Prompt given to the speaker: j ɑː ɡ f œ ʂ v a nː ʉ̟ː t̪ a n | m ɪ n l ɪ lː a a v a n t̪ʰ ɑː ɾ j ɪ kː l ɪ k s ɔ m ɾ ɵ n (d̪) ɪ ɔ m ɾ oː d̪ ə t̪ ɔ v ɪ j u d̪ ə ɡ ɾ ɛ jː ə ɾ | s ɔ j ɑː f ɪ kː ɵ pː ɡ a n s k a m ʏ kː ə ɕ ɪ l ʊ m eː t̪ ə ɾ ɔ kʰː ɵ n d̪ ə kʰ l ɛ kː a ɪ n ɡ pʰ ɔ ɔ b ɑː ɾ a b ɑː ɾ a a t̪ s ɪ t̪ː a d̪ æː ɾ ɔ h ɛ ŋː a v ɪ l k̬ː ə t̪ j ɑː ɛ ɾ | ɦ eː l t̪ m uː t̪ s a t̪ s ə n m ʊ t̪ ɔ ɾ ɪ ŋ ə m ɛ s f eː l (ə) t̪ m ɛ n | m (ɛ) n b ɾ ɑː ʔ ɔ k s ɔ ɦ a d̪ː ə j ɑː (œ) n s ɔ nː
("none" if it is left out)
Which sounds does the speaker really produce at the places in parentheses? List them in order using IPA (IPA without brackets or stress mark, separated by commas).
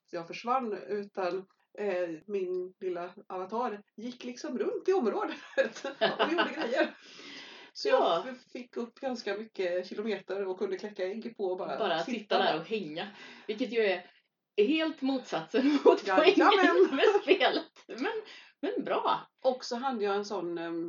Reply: t̪, ə, ɛ, ɛ